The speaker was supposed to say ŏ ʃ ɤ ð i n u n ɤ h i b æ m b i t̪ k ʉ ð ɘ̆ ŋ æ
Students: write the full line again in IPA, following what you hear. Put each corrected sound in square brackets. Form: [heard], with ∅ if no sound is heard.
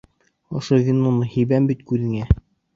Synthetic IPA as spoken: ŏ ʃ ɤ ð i n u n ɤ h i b æ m b i t̪ k ʉ ð ɘ̆ ŋ æ